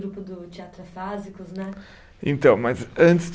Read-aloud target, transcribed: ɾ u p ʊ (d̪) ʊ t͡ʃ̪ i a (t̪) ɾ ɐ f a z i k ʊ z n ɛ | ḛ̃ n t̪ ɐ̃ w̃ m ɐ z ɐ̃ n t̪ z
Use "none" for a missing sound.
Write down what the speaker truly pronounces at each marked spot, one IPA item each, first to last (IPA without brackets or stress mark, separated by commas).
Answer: d̪, t̪